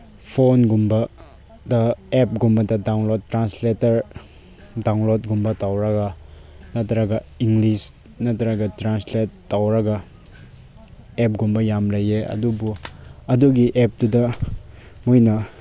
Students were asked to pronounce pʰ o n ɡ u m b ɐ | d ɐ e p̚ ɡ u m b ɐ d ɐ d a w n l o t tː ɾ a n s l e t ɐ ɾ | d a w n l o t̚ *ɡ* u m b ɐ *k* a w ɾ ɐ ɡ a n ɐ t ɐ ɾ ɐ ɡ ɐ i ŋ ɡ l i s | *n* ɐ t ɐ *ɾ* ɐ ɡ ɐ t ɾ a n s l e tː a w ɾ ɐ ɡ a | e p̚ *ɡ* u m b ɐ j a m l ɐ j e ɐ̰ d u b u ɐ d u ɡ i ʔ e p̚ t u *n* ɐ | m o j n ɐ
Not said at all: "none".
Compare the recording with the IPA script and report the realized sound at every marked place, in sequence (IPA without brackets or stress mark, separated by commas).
ɡ, t, n, ɾ, ɡ, d